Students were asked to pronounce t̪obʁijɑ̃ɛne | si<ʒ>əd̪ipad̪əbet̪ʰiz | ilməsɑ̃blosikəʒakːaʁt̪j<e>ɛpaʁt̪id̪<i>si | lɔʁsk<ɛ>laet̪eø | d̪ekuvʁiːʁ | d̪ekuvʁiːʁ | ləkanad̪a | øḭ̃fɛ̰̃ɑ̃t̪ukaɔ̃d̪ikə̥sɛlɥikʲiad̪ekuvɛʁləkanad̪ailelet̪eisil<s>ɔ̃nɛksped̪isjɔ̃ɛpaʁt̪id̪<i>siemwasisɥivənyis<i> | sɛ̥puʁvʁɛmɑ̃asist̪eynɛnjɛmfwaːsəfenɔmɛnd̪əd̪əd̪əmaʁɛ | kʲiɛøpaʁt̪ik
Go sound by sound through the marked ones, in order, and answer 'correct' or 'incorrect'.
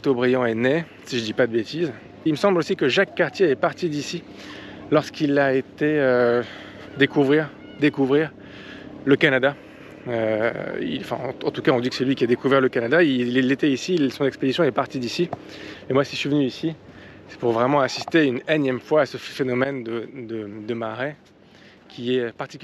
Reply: correct, correct, correct, incorrect: i, correct, correct, correct

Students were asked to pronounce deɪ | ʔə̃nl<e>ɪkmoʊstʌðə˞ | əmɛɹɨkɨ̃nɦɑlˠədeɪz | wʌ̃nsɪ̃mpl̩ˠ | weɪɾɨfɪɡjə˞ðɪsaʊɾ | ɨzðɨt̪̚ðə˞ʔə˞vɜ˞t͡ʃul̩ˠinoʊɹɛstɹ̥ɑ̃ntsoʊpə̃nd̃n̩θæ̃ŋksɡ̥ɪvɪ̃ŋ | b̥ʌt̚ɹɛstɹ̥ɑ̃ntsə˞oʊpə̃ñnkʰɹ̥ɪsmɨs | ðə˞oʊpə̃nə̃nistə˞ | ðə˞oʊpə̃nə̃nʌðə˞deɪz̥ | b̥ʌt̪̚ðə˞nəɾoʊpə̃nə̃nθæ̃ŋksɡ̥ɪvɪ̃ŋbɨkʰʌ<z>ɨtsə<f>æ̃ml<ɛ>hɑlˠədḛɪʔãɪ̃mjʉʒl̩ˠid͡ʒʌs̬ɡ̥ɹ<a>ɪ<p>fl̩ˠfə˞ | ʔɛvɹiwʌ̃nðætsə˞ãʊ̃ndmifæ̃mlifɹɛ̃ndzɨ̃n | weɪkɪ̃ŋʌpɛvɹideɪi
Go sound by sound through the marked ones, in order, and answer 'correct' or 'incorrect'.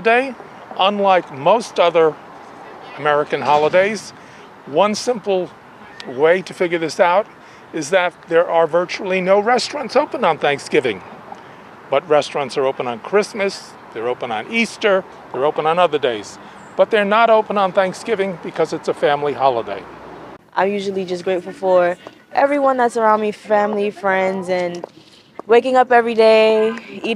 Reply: incorrect: a, correct, correct, incorrect: i, incorrect: e, incorrect: t

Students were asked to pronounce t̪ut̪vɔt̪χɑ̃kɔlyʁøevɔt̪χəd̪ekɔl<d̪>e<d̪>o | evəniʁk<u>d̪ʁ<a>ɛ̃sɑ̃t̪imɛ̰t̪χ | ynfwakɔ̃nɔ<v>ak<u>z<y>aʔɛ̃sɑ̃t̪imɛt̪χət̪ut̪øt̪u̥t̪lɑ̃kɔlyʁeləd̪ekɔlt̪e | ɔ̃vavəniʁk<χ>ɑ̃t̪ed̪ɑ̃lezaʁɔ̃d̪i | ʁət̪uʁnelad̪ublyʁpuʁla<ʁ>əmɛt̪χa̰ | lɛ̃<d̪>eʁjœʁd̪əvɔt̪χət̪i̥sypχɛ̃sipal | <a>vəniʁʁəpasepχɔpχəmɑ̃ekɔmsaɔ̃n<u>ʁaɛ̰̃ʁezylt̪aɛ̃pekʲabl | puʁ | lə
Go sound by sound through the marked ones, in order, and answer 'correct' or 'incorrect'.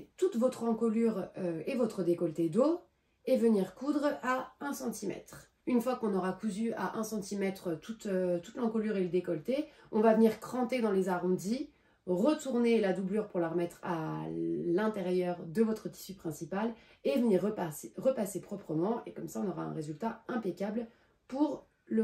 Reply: incorrect: t̪, correct, correct, correct, incorrect: ʁ, correct, correct, correct, correct, incorrect: t̪, incorrect: e, incorrect: ɔ

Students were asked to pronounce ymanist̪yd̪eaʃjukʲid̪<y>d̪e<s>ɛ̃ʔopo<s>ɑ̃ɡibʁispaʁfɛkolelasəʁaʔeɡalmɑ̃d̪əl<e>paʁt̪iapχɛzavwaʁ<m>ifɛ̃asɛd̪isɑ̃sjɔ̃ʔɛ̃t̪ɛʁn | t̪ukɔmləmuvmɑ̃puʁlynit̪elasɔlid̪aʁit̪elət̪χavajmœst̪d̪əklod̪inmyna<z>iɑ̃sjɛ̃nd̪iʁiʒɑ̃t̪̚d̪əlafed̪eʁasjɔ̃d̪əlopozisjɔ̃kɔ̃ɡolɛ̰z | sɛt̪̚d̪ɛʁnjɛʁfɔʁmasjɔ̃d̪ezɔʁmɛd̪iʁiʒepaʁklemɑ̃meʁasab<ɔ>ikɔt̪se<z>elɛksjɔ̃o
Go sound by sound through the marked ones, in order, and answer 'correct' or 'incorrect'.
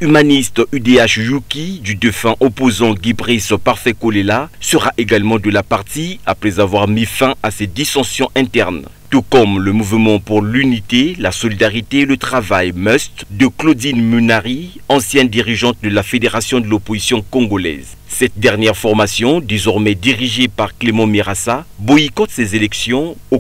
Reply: correct, incorrect: f, incorrect: z, incorrect: a, correct, incorrect: ʁ, correct, correct

